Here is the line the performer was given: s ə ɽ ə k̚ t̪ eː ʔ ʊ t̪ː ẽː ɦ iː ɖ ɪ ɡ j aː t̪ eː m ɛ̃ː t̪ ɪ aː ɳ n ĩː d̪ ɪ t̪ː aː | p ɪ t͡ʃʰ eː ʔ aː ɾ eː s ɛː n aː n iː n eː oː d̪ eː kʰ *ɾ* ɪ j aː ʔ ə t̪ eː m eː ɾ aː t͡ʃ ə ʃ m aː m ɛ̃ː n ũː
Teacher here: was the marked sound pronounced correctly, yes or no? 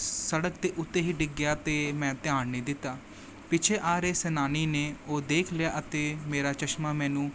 no